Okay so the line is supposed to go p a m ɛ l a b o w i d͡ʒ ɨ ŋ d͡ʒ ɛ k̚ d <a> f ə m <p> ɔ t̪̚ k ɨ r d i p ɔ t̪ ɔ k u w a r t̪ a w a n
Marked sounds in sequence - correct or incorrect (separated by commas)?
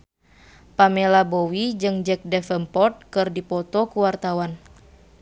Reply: incorrect, correct